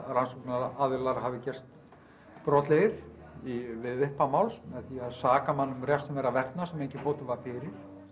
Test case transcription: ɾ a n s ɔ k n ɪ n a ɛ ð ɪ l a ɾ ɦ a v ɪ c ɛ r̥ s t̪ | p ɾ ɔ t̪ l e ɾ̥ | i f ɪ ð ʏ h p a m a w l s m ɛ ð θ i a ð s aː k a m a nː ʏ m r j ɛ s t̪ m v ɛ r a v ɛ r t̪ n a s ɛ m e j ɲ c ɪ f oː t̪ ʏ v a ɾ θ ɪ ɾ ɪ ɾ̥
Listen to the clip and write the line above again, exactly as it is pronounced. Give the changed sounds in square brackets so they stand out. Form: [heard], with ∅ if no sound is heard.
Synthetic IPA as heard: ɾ a n s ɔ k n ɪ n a [a] ð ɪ l a ɾ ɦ a v ɪ c ɛ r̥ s t̪ | p ɾ ɔ t̪ l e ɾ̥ | i [v] ɪ ð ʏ h p a m a w l s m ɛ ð θ i a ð s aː k a m a nː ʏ m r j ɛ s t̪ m v ɛ [ɾ] a v ɛ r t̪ n a s ɛ m e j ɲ c ɪ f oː t̪ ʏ v a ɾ [f] ɪ ɾ ɪ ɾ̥